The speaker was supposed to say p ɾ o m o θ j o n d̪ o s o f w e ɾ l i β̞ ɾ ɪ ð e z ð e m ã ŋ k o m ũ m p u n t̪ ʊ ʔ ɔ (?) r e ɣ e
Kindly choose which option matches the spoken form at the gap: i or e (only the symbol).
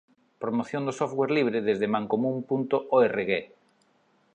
e